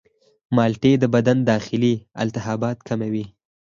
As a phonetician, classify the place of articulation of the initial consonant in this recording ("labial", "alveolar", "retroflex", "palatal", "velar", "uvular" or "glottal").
labial